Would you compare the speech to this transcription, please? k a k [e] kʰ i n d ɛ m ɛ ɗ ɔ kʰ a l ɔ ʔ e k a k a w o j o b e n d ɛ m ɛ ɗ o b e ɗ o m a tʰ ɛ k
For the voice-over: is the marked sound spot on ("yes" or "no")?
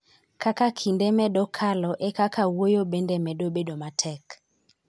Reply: no